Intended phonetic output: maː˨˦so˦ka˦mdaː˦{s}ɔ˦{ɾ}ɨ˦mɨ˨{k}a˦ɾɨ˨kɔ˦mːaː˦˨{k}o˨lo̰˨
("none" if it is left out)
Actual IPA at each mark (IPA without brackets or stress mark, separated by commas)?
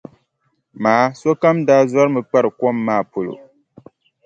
z, ɾ, k͡p, p